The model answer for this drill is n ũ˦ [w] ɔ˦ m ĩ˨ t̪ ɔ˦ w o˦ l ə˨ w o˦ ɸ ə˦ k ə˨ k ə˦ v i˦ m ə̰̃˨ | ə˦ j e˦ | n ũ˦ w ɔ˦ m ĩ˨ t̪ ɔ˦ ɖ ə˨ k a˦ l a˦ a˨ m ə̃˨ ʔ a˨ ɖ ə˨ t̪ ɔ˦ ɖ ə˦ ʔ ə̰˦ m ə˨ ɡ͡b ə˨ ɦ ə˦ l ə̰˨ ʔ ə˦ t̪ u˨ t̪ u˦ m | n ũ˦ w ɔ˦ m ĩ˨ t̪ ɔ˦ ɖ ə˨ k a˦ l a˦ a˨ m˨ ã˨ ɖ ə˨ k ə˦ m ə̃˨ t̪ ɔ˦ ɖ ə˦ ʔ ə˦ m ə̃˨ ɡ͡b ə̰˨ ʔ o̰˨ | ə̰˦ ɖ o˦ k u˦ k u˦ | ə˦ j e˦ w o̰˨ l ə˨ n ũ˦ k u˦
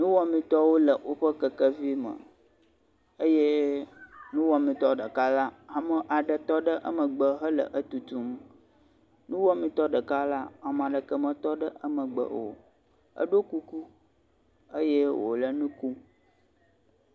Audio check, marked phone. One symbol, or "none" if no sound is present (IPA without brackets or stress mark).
w